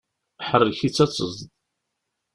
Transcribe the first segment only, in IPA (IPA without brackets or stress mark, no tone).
ħ